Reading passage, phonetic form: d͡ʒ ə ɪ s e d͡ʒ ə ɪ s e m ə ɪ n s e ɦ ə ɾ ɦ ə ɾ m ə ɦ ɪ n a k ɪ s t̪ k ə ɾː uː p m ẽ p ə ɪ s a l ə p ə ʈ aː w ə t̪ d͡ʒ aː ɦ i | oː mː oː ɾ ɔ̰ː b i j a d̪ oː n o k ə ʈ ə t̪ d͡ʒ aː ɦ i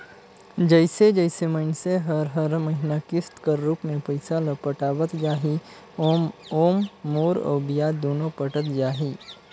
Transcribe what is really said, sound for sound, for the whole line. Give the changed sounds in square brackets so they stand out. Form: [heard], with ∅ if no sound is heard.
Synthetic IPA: d͡ʒ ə ɪ s e d͡ʒ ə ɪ s e m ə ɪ n s e ɦ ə ɾ ɦ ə ɾ m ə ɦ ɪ n a k ɪ s t̪ k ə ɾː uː p m ẽ p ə ɪ s a l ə p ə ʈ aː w ə t̪ d͡ʒ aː ɦ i | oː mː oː ɾ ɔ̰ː b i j a d̪ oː n o [p] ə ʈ ə t̪ d͡ʒ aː ɦ i